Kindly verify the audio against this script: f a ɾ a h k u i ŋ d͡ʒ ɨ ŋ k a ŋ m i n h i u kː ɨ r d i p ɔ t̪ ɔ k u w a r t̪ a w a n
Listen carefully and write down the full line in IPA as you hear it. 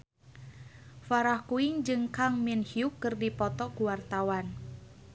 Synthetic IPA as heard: f a ɾ a h k u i ŋ d͡ʒ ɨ ŋ k a ŋ m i n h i u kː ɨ r d i p ɔ t̪ ɔ k u w a r t̪ a w a n